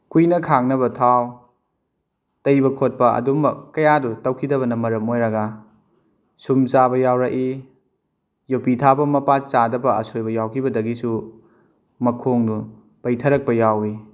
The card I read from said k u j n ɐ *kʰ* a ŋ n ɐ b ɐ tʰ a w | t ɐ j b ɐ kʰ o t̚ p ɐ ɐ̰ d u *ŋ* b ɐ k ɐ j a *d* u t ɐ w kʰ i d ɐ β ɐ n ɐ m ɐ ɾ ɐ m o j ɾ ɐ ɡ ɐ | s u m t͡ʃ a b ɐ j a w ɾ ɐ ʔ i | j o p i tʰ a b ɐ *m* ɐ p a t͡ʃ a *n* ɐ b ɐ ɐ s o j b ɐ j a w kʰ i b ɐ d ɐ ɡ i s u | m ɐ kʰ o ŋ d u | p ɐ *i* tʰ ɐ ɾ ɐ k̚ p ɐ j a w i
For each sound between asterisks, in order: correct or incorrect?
correct, incorrect, correct, correct, incorrect, incorrect

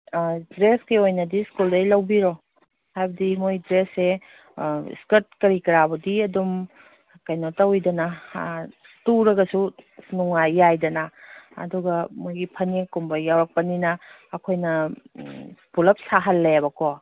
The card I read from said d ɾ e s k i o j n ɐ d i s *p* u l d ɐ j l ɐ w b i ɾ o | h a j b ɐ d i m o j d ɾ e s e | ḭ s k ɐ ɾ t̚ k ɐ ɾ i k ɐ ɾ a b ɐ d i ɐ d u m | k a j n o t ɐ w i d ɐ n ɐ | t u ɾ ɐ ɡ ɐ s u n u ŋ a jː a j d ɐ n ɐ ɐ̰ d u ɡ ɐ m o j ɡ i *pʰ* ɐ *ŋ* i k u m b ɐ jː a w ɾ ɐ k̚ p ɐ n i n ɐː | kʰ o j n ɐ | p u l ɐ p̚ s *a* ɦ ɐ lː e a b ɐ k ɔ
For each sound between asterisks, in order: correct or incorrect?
incorrect, correct, incorrect, correct

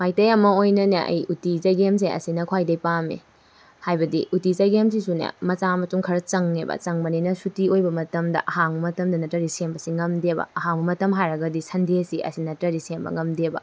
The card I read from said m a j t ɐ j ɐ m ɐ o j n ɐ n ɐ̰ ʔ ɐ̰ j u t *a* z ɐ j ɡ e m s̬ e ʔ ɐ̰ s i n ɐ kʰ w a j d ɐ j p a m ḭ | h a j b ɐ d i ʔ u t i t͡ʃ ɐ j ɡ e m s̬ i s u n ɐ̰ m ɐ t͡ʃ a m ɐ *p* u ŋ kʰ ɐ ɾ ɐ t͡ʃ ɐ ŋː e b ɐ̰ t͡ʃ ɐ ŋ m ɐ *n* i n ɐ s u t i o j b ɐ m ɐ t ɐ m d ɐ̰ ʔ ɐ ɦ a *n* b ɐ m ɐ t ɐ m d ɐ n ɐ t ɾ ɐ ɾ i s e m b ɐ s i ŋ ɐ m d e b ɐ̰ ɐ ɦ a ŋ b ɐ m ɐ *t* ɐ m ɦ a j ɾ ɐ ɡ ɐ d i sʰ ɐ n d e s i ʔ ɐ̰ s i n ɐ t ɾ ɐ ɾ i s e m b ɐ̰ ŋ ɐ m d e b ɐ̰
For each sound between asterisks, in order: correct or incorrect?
incorrect, incorrect, correct, incorrect, correct

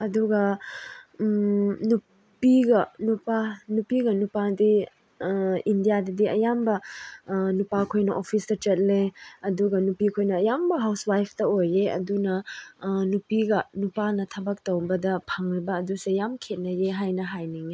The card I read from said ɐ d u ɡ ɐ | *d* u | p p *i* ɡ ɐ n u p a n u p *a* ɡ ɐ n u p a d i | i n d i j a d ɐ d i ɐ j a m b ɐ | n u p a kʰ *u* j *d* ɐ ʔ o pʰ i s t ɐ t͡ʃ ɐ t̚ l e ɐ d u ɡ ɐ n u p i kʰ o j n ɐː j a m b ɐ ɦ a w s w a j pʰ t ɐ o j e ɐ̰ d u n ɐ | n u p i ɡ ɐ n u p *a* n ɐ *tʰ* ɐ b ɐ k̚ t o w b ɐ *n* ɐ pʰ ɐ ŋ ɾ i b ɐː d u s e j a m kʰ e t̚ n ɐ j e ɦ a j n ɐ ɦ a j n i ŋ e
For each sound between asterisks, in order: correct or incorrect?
incorrect, correct, incorrect, incorrect, incorrect, correct, correct, incorrect

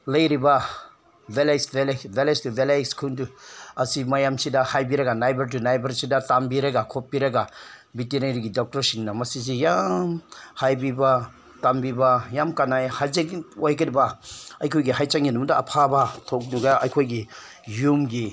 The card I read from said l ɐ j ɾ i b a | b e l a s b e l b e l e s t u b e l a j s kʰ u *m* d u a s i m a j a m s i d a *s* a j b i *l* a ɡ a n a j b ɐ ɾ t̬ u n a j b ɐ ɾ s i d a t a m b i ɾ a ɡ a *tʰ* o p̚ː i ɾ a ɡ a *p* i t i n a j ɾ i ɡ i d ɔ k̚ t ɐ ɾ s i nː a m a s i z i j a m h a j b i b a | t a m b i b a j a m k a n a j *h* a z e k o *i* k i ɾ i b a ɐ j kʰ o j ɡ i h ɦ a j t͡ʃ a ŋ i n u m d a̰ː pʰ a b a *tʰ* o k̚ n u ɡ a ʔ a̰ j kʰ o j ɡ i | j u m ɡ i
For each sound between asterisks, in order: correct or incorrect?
incorrect, incorrect, incorrect, incorrect, incorrect, correct, incorrect, correct

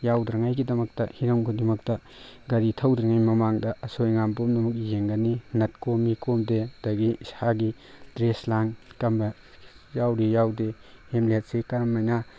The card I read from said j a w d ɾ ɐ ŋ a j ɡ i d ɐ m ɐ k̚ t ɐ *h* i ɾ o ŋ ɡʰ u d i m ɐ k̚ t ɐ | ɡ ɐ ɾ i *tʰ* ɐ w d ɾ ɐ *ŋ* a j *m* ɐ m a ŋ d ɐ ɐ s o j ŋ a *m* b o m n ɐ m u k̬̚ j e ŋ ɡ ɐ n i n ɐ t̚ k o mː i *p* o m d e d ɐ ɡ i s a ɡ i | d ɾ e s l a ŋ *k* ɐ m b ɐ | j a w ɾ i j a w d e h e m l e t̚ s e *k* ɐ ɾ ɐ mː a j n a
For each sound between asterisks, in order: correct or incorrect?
correct, correct, correct, correct, correct, incorrect, correct, correct

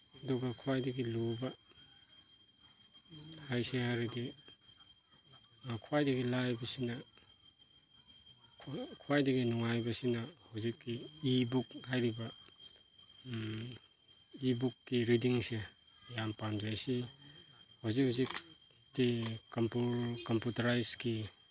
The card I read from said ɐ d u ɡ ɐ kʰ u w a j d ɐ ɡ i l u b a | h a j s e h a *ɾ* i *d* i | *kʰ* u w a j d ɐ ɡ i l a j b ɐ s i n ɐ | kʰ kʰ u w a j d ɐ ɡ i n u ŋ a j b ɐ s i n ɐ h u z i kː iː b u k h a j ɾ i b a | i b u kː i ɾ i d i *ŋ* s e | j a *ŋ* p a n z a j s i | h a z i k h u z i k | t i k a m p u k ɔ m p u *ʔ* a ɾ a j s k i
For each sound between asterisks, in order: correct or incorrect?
correct, correct, correct, correct, incorrect, incorrect

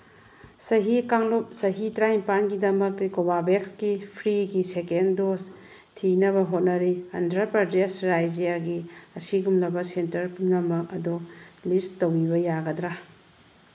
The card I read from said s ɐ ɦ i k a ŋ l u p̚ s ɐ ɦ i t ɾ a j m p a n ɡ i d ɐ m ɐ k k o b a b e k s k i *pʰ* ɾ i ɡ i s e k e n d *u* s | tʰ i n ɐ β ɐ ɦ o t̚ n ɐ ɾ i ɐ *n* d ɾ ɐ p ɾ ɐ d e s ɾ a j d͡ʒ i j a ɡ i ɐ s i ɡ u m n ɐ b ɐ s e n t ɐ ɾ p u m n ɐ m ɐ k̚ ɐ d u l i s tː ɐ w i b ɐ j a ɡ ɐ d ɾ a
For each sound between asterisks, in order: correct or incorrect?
correct, incorrect, correct

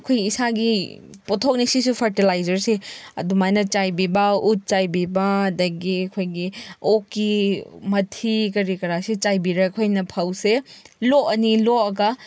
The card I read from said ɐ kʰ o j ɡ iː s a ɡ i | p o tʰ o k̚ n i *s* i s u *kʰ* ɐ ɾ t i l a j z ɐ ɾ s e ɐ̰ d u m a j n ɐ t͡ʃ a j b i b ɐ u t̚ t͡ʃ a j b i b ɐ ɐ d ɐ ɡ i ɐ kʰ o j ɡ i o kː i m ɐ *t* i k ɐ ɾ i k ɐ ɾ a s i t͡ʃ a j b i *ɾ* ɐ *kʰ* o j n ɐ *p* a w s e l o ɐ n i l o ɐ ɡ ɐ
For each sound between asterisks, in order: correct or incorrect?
correct, incorrect, incorrect, correct, correct, incorrect

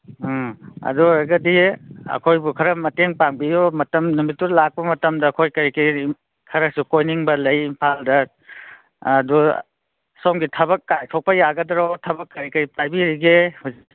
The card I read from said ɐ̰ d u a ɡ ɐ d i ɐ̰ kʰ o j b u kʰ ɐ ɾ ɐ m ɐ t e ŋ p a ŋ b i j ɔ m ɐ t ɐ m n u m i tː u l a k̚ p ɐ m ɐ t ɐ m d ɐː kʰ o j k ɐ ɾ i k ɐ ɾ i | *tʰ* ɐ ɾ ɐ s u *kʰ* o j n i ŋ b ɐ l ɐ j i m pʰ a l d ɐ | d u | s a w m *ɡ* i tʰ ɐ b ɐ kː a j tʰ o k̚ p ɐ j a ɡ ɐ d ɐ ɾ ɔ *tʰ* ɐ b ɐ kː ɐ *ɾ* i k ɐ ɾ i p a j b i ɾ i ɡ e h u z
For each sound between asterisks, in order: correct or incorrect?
incorrect, incorrect, correct, correct, correct

